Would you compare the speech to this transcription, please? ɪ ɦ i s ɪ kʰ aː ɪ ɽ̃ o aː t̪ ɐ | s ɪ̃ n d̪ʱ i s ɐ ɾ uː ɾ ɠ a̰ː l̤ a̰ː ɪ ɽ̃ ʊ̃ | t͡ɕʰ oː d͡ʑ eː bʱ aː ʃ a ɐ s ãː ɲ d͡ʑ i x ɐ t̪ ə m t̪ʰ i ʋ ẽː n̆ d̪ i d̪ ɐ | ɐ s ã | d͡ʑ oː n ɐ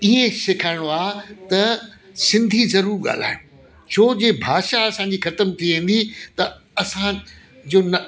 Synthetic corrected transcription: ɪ ɦ e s ɪ kʰ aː ɪ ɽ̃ o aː t̪ ɐ | s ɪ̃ n d̪ʱ i z ɐ ɾ uː ɾ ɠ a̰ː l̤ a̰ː ɪ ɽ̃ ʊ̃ | t͡ɕʰ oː d͡ʑ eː bʱ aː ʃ a ɐ s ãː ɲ d͡ʑ i x ɐ t̪ ə m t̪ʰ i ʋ ẽː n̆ d̪ i t̪ ɐ | ɐ s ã | d͡ʑ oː n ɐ